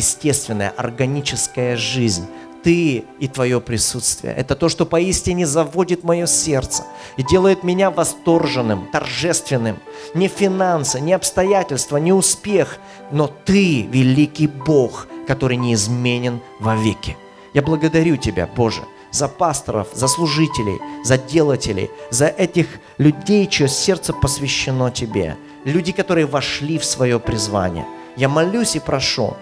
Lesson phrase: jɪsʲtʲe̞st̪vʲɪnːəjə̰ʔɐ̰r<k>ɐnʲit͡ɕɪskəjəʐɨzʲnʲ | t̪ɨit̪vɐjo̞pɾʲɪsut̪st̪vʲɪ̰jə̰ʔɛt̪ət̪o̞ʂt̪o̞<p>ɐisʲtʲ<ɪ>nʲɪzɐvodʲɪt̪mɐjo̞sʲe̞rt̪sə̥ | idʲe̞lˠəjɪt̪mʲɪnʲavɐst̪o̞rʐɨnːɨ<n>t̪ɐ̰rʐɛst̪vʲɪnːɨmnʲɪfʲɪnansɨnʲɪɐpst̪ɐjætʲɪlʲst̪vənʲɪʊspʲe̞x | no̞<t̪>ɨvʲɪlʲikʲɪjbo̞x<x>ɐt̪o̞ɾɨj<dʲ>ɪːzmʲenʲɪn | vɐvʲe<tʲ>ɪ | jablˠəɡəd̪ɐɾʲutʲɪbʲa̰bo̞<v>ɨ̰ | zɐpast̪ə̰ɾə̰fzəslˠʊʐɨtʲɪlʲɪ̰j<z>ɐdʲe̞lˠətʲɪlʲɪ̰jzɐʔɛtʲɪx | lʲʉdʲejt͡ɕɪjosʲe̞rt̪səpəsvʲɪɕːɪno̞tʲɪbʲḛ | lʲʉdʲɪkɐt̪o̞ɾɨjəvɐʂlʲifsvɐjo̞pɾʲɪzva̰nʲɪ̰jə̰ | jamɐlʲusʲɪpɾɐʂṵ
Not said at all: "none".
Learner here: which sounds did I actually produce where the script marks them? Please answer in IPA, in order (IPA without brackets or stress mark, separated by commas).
ɡ, p, ɪ, m, t̪, k, nʲ, kʲ, ʐ, z